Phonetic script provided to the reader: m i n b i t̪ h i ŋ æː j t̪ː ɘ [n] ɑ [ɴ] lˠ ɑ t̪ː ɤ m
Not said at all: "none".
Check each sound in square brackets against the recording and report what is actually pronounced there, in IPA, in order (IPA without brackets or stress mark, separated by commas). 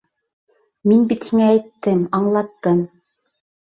m, ɴ